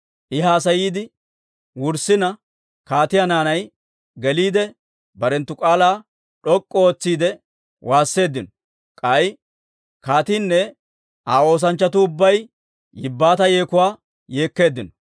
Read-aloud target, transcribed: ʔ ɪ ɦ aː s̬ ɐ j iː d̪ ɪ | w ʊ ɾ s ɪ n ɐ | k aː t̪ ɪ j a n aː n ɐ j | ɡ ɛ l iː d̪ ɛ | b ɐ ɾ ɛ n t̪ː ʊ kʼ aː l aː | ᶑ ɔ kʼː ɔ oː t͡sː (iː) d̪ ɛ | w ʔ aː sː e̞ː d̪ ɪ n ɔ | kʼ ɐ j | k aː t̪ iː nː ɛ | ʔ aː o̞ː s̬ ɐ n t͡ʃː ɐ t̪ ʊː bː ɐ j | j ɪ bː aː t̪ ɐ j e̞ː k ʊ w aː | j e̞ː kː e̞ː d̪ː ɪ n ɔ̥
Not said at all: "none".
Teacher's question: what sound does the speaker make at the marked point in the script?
iː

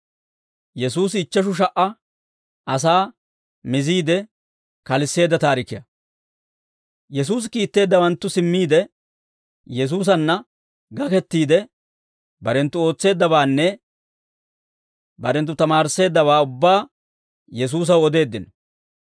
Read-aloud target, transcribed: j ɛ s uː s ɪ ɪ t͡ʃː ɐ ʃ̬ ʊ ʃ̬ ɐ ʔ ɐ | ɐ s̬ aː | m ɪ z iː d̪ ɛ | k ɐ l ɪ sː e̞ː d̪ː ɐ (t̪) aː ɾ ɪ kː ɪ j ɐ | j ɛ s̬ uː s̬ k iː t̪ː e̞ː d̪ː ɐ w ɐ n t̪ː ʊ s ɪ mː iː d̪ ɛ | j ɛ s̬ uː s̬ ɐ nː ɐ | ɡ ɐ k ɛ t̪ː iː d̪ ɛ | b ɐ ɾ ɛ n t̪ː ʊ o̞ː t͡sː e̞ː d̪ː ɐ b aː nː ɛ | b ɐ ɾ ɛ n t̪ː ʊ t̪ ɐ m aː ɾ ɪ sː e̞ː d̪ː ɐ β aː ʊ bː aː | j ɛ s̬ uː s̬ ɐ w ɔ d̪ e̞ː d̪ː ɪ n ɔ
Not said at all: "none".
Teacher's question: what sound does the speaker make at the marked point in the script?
t̪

